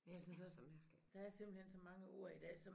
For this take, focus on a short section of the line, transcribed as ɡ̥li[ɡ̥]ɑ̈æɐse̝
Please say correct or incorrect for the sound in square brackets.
incorrect